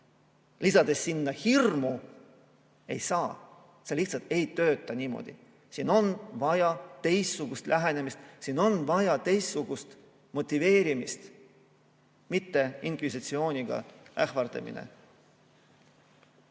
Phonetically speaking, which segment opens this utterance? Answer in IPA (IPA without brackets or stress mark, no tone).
l